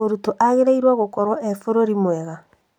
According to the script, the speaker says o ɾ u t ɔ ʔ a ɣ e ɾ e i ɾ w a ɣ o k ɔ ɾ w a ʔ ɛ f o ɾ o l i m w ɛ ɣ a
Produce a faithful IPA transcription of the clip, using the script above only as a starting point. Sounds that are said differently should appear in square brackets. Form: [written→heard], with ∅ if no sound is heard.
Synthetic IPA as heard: o ɾ u t [ɔ→o] ʔ a ɣ e ɾ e i ɾ w a ɣ o k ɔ ɾ w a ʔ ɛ f o ɾ o [l→ɾ] i m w ɛ ɣ a

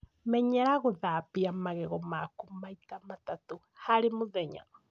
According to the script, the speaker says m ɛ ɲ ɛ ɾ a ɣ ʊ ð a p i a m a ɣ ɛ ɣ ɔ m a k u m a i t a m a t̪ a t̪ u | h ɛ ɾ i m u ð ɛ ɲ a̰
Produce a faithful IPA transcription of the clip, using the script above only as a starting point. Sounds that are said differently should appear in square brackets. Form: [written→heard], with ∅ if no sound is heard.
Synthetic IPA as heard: m ɛ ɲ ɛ ɾ a ɣ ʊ ð a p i a m a ɣ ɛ ɣ ɔ m a k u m a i t a m a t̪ a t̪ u | h [ɛ→a] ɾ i m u ð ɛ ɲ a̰

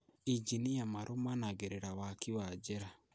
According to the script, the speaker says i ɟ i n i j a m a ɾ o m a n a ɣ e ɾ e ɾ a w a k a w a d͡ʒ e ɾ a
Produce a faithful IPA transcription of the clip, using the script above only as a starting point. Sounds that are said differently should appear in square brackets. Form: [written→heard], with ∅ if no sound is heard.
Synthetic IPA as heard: i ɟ i n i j a m a ɾ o m a n a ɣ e ɾ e ɾ a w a k [a→i] w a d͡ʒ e ɾ a

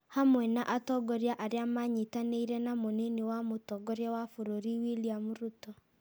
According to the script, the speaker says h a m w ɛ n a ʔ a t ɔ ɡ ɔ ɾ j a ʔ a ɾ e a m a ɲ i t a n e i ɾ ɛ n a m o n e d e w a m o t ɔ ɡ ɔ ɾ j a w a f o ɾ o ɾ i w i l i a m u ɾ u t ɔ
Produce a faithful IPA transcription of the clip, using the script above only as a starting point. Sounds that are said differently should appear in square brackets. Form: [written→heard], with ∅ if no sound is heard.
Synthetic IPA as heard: h a m w ɛ n a ʔ a t ɔ ɡ ɔ ɾ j a ʔ a ɾ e a m a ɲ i t a n e i ɾ ɛ n a m o n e [d→n] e w a m o t ɔ ɡ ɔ ɾ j a w a f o ɾ o ɾ i w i l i a m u ɾ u t ɔ

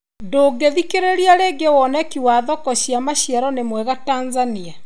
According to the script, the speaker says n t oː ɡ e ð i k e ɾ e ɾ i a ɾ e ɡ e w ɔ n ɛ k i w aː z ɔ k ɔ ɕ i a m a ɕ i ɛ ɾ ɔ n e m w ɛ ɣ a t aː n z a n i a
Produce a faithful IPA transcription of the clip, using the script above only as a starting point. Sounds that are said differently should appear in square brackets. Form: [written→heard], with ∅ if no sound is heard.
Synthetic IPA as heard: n [t→d] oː ɡ e ð i k e ɾ e ɾ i a ɾ e ɡ e w ɔ n ɛ k i w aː [z→ð] ɔ k ɔ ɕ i a m a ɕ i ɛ ɾ ɔ n e m w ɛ ɣ a t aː n z a n i a

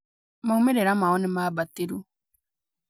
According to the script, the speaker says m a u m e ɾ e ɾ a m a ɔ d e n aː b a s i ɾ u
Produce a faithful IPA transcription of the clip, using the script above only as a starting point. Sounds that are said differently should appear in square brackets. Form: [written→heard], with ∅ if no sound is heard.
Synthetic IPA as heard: m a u m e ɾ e ɾ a m a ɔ [d→n] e [n→m] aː b a [s→t] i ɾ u

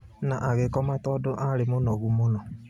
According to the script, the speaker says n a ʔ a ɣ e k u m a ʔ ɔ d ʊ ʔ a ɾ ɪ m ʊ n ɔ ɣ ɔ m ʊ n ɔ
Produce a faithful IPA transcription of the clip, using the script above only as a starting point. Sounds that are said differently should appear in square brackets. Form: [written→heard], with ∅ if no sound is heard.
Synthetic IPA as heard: n a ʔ a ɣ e k [u→ɔ] m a [ʔ→t] ɔ d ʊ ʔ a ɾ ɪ m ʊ n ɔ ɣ [ɔ→u] m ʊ n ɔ

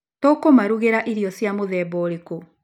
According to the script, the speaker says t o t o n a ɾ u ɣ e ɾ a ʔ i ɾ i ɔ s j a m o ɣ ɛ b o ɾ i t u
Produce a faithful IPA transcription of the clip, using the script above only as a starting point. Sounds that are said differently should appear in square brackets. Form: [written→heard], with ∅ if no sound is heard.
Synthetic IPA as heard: t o [t→k] o [n→m] a ɾ u ɣ e ɾ a ʔ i ɾ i ɔ s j a m o [ɣ→ð] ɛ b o ɾ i [t→k] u

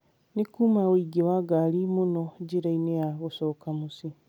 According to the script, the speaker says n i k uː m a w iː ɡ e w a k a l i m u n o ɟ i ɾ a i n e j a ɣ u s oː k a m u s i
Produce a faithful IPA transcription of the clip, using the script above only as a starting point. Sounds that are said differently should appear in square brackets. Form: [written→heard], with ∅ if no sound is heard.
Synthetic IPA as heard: n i k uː m a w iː ɡ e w a [k→ɡ] a l i m u n o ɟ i ɾ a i n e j a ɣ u s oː k a m u s i

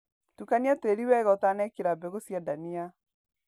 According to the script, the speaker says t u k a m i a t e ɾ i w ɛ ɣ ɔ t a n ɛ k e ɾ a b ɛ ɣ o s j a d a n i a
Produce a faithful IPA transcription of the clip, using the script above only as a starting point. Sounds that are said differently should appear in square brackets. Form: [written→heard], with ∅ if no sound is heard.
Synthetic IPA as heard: t u k a [m→n] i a t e ɾ i w ɛ ɣ ɔ t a n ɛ k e ɾ a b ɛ ɣ o s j a d a n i a

